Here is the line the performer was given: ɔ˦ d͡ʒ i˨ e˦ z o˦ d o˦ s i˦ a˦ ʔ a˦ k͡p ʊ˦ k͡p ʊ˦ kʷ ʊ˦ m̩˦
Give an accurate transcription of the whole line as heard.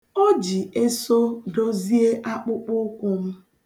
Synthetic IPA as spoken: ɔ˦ d͡ʒ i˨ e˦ s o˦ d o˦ z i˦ e˦ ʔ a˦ k͡p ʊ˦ k͡p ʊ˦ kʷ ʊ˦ m̩˦